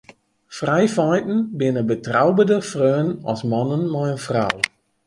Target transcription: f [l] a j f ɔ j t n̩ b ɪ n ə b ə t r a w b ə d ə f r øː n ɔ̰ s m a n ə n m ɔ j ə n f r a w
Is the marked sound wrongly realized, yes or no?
yes